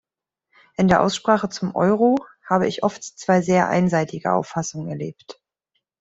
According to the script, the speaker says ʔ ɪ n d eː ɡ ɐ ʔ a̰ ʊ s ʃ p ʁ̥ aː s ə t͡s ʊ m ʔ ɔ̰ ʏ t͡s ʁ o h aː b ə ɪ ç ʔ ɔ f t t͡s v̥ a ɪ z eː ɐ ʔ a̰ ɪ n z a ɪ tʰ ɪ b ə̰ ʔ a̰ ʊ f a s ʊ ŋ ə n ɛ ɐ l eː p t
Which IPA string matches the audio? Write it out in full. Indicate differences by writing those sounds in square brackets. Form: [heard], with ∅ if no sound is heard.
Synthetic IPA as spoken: ʔ ɪ n d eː [∅] ɐ ʔ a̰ ʊ s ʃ p ʁ̥ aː [χ] ə t͡s ʊ m ʔ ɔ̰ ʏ [∅] ʁ o h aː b ə ɪ ç ʔ ɔ f t t͡s v̥ a ɪ z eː ɐ ʔ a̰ ɪ n z a ɪ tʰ ɪ [ɡ] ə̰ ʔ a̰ ʊ f a s ʊ ŋ ə n ɛ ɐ l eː p t